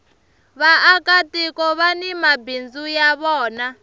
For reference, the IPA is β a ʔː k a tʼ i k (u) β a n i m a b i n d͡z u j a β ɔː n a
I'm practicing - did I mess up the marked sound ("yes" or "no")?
yes